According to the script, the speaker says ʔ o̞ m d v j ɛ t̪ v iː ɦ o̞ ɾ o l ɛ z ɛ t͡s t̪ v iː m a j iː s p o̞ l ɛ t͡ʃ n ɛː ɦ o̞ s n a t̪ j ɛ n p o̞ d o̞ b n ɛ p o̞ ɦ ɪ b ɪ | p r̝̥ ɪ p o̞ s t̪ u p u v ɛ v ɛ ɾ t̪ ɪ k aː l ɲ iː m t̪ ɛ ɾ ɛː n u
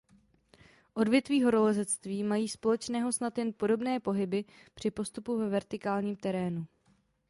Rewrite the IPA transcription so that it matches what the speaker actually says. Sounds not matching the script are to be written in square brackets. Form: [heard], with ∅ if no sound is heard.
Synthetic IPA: ʔ o̞ [∅] d v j ɛ t̪ v iː ɦ o̞ ɾ o l ɛ z ɛ t͡s t̪ v iː m a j iː s p o̞ l ɛ t͡ʃ n ɛː ɦ o̞ s n a t̪ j ɛ n p o̞ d o̞ b n [ɛː] p o̞ ɦ ɪ b ɪ | p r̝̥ ɪ p o̞ s t̪ u p u v ɛ v ɛ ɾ t̪ ɪ k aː l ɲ iː m t̪ ɛ ɾ ɛː n u